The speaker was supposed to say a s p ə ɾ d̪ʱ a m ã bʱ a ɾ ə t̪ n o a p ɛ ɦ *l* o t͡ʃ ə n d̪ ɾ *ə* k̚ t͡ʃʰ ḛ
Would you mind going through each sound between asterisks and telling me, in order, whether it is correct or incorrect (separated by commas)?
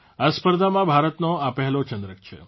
correct, correct